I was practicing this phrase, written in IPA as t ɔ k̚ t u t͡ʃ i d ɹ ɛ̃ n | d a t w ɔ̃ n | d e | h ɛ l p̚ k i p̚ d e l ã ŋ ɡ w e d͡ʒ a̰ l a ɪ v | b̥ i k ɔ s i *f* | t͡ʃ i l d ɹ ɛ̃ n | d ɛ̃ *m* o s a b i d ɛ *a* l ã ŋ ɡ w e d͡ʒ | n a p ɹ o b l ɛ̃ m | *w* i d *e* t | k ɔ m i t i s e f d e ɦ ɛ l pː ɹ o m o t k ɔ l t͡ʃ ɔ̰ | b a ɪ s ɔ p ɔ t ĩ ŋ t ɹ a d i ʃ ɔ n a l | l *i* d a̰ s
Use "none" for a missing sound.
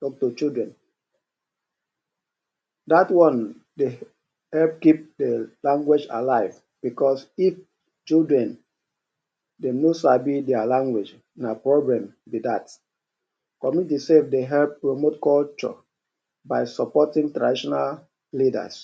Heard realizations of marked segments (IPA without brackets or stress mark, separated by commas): f, n, a, b, a, i